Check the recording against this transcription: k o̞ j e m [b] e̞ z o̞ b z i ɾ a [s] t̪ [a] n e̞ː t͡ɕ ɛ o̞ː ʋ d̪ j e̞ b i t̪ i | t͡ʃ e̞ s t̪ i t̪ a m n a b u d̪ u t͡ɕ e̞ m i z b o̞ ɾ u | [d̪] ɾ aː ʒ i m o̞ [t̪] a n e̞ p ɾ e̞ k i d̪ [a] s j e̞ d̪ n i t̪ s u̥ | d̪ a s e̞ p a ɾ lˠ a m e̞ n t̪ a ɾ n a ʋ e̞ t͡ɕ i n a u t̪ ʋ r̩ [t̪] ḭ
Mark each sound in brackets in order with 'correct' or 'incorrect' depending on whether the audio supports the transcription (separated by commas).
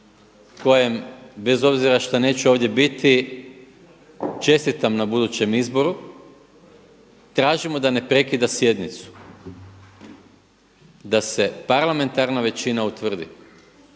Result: correct, incorrect, correct, incorrect, incorrect, correct, incorrect